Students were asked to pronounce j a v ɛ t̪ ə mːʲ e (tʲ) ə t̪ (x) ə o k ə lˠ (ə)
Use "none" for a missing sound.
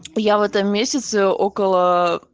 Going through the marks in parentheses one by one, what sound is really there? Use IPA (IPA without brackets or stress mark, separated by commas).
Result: sʲ, s, ə